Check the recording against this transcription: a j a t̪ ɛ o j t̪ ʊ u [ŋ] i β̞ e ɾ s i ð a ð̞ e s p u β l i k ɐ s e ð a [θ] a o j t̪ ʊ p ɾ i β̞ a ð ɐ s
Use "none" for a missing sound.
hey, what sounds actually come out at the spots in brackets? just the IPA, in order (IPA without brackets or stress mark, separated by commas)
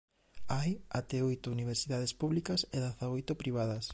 n, θ